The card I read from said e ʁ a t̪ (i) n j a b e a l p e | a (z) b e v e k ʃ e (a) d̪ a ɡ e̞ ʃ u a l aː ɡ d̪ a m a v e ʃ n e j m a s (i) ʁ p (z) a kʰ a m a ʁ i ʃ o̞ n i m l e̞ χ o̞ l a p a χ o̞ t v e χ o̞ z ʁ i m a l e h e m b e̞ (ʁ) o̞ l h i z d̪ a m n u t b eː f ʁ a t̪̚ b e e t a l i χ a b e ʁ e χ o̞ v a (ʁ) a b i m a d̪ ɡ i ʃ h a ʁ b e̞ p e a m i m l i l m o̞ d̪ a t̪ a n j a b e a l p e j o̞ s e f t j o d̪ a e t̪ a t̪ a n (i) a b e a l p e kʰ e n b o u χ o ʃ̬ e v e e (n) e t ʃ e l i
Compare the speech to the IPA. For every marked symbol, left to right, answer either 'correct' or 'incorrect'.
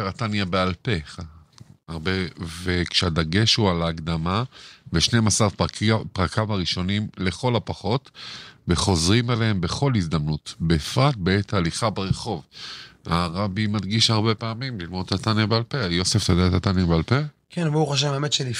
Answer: incorrect, incorrect, correct, incorrect, incorrect, incorrect, correct, incorrect, incorrect

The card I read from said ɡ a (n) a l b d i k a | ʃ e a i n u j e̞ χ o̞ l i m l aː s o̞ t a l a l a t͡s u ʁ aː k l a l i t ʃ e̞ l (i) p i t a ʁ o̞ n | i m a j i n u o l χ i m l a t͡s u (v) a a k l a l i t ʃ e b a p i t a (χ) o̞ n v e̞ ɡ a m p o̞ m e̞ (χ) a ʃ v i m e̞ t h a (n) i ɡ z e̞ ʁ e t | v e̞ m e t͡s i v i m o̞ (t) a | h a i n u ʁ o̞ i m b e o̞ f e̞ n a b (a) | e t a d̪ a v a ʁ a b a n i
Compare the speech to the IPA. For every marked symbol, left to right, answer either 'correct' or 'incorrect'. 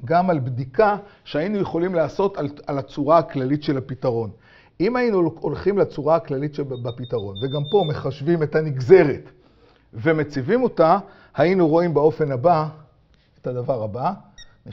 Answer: incorrect, incorrect, incorrect, incorrect, correct, correct, correct, correct

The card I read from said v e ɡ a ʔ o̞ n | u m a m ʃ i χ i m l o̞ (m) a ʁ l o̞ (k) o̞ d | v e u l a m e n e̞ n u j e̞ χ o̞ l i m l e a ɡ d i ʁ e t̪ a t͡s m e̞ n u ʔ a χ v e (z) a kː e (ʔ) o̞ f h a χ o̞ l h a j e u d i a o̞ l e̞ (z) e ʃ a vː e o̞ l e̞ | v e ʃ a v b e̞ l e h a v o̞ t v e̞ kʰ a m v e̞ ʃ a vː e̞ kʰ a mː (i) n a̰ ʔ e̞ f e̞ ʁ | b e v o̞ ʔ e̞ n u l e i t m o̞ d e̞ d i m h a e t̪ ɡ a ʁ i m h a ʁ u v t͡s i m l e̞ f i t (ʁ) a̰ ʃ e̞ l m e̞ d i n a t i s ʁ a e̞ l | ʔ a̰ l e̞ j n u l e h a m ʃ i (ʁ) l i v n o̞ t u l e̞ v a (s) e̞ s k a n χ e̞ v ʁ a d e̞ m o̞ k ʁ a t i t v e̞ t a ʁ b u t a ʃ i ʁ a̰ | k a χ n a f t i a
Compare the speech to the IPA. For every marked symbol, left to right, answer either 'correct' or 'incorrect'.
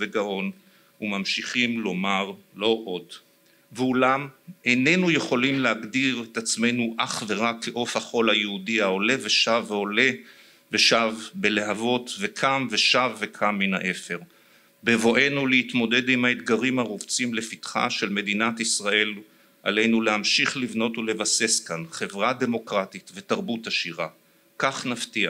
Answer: correct, incorrect, incorrect, correct, incorrect, correct, incorrect, incorrect, correct

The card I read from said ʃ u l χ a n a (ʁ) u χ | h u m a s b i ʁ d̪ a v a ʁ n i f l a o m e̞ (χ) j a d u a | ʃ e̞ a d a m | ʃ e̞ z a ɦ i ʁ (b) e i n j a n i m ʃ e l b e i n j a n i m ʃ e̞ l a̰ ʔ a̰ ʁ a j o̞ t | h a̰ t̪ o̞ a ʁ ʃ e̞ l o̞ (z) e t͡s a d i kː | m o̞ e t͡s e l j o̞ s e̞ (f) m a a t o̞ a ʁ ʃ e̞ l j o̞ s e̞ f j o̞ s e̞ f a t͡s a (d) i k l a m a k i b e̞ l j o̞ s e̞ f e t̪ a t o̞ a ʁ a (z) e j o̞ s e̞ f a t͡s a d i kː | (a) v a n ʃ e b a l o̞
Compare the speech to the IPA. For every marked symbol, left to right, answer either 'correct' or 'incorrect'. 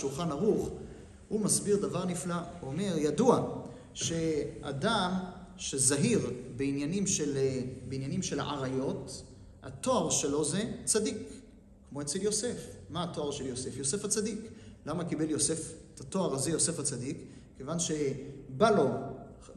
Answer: correct, incorrect, correct, correct, correct, correct, correct, incorrect

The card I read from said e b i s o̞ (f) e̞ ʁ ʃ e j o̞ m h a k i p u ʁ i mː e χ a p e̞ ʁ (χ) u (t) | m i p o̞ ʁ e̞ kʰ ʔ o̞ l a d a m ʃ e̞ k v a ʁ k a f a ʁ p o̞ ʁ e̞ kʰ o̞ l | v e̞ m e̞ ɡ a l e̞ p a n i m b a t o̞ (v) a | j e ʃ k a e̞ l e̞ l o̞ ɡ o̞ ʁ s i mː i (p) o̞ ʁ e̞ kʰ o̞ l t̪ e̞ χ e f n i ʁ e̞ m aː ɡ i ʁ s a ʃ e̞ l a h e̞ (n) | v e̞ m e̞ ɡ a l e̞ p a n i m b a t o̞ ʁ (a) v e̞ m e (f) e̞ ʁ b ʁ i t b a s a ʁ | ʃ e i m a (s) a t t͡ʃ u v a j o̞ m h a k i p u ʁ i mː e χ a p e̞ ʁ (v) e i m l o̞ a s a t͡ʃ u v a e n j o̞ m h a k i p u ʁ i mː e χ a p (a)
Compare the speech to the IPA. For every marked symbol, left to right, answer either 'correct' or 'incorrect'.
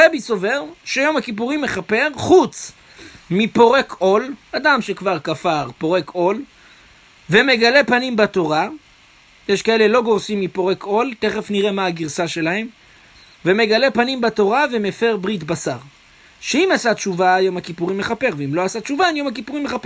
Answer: incorrect, correct, incorrect, incorrect, correct, incorrect, correct, correct, correct, correct, incorrect

